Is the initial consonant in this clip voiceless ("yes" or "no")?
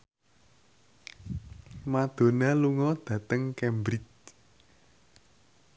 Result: no